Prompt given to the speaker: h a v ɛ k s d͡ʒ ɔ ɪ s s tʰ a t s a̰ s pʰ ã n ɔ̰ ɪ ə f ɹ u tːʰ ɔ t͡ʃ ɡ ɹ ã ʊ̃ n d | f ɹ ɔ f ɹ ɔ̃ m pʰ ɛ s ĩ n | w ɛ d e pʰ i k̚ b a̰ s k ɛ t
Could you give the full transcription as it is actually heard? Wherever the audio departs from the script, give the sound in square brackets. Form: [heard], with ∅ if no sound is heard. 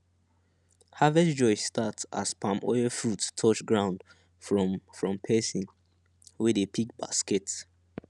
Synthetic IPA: h a v ɛ [∅] s d͡ʒ ɔ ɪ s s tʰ a t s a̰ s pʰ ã [m] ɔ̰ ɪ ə f ɹ u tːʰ ɔ t͡ʃ ɡ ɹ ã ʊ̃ n d | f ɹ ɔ f ɹ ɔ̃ m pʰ ɛ s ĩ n | w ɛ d e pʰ i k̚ b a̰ s k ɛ t